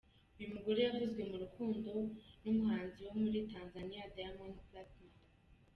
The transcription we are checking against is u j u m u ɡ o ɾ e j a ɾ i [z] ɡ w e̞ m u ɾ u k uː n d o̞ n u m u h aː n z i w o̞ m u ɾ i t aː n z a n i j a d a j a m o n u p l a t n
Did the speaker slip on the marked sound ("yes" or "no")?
no